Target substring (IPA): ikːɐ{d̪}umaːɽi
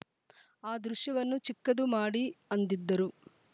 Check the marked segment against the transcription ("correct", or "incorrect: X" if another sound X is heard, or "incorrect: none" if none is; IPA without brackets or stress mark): correct